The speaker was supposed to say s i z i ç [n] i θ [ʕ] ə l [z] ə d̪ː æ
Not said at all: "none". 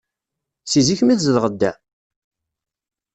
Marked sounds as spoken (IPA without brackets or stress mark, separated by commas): m, z, ʁ